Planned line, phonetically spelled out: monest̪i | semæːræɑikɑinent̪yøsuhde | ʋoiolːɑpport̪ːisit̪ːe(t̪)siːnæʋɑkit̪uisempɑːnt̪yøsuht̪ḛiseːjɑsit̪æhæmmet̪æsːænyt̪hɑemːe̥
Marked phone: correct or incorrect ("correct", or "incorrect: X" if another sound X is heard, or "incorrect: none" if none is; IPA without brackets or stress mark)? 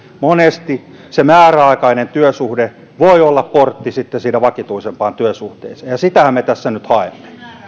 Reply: incorrect: none